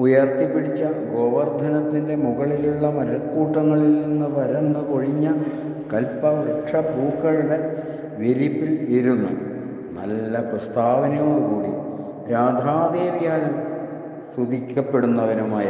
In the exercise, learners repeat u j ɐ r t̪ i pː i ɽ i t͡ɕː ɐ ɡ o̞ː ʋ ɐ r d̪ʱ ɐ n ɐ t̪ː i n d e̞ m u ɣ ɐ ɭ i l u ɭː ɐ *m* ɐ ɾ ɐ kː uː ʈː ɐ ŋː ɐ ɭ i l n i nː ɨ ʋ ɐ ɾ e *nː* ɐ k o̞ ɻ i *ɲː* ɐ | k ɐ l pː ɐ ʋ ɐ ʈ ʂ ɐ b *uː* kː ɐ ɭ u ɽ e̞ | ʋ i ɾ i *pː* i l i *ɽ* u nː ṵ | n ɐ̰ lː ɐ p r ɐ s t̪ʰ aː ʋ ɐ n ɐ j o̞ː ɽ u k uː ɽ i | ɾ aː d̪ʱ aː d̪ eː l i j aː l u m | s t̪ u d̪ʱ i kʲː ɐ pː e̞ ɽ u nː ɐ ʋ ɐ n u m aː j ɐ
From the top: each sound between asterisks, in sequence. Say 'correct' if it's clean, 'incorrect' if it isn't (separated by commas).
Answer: correct, correct, correct, correct, correct, incorrect